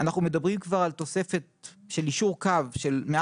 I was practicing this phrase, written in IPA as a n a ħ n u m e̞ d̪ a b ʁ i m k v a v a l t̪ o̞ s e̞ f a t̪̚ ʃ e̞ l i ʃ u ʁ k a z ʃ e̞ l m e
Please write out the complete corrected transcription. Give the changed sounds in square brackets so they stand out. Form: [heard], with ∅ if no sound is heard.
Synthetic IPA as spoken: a n a [χ] n u m e̞ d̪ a b ʁ i m k v a [ʁ] a l t̪ o̞ s e̞ f [e] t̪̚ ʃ e̞ l i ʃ u ʁ k a [v] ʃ e̞ l m e